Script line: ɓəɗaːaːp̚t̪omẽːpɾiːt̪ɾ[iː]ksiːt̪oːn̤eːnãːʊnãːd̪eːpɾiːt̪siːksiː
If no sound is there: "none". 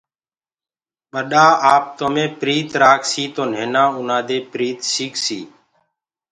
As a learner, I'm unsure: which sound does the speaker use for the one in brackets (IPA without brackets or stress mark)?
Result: aː